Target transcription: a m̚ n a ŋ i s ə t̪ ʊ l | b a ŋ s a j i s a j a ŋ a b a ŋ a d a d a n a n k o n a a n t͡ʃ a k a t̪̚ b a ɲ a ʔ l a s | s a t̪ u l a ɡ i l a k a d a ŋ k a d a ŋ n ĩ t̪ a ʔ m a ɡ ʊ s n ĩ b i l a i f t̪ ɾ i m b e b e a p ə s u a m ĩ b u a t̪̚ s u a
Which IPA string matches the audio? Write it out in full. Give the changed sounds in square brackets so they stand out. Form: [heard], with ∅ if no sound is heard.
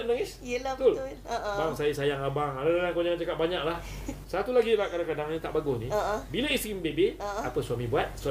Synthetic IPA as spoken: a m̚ n a ŋ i s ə t̪ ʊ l | b a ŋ s a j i s a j a ŋ a b a ŋ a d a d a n a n k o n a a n t͡ʃ a k a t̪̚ b a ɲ a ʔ l a [h] | s a t̪ u l a ɡ i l a k a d a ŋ k a d a ŋ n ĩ t̪ a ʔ [b] a ɡ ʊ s n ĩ b i l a i [s] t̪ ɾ i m b e b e a p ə s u a m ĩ b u a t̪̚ s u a